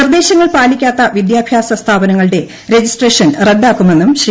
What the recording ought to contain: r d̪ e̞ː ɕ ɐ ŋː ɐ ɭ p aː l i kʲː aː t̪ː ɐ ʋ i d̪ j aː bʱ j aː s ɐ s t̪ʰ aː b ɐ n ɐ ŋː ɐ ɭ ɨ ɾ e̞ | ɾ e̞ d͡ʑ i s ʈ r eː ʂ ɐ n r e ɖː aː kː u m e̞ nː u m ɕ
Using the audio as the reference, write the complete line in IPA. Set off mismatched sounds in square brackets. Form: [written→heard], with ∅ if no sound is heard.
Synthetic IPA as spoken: r d̪ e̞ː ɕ ɐ ŋː ɐ ɭ p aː l i kʲː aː t̪ː ɐ ʋ i d̪ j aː bʱ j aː s ɐ s t̪ʰ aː b ɐ n ɐ ŋː ɐ ɭ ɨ [ɾ→ɽ] e̞ | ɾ e̞ d͡ʑ i s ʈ r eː ʂ ɐ n r e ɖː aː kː u m e̞ nː u m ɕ